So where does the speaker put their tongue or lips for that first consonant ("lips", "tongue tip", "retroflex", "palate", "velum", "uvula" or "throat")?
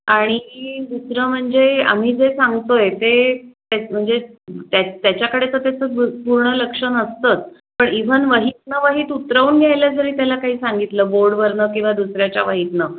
retroflex